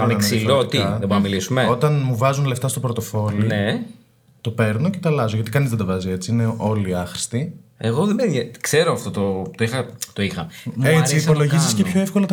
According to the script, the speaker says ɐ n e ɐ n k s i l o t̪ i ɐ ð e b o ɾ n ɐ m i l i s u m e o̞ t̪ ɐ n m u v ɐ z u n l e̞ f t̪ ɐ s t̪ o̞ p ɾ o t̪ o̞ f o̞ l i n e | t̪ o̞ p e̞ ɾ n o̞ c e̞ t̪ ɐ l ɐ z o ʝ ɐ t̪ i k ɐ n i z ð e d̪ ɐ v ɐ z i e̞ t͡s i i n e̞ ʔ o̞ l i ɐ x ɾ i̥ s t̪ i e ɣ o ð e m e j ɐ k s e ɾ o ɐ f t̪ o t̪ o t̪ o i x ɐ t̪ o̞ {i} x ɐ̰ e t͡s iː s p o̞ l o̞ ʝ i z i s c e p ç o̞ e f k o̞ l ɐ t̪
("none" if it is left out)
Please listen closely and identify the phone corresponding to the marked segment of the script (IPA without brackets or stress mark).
i